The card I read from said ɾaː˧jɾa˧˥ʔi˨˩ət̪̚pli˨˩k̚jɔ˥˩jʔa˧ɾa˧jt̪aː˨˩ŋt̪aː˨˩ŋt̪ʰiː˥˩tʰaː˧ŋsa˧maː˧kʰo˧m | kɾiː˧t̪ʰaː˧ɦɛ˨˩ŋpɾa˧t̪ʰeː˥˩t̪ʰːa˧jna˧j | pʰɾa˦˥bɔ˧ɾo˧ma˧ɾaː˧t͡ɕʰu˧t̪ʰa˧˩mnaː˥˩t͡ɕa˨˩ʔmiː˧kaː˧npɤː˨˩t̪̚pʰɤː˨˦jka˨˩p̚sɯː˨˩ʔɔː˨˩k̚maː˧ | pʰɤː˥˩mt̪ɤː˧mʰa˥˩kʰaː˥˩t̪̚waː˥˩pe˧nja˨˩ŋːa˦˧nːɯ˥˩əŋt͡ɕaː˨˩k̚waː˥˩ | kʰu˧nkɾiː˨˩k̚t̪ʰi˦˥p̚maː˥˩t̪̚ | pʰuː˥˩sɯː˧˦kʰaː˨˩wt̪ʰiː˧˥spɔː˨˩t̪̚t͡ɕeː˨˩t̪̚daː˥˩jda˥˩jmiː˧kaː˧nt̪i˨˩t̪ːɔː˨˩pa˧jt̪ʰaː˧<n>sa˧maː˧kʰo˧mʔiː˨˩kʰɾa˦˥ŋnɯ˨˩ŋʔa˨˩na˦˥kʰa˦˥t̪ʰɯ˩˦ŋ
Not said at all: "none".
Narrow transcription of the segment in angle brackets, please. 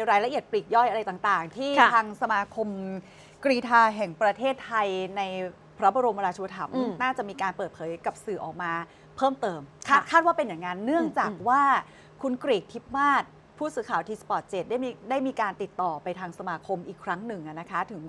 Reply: ŋ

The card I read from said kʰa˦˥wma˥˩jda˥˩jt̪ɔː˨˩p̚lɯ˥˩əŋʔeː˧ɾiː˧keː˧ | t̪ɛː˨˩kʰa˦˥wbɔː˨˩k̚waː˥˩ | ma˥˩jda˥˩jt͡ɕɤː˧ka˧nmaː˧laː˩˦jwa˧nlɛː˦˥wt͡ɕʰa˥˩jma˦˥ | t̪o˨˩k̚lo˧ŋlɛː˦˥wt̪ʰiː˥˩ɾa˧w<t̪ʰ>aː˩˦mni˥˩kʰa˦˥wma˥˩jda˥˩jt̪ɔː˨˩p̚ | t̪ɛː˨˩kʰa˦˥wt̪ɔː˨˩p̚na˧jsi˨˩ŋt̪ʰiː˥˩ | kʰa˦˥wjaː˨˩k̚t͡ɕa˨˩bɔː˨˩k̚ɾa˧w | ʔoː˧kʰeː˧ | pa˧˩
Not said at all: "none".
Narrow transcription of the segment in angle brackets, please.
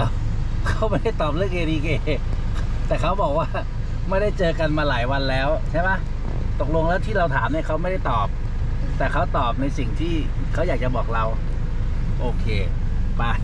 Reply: t̪ʰ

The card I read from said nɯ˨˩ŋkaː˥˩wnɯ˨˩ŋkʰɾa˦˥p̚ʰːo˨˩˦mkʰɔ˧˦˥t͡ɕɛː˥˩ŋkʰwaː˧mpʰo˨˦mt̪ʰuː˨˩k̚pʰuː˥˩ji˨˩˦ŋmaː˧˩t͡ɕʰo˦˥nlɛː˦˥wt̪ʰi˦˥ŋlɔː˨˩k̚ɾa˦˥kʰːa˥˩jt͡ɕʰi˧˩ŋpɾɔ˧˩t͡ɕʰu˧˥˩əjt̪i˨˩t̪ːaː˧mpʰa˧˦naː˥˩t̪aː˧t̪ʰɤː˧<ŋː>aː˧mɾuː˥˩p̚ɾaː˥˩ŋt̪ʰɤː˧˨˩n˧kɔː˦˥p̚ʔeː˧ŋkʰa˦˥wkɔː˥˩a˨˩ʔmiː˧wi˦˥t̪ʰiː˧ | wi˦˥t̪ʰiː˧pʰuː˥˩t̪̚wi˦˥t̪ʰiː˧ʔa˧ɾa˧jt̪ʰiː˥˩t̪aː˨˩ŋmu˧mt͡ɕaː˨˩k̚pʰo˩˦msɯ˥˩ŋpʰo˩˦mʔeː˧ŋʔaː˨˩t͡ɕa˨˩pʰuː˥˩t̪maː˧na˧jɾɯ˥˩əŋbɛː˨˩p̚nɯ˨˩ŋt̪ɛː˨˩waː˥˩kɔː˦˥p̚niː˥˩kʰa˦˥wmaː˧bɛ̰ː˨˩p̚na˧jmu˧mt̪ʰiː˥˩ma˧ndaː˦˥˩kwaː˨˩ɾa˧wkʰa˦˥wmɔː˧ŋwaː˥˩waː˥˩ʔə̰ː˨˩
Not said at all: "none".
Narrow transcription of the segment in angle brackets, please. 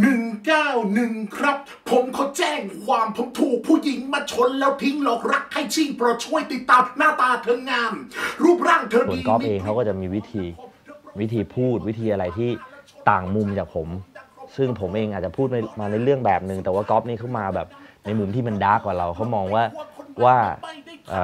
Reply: ŋː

